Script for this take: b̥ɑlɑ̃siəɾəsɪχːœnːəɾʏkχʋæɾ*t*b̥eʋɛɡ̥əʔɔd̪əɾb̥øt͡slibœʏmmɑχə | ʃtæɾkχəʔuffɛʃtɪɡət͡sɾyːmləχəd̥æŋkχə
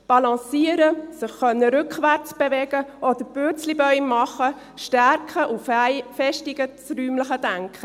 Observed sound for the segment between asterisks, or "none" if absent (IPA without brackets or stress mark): t͡s